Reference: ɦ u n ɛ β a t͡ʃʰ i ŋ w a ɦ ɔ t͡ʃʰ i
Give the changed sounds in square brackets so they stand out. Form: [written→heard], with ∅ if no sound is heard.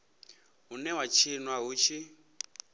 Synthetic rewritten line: ɦ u n ɛ [β→w] a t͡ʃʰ i [ŋ→n] w a ɦ [ɔ→u] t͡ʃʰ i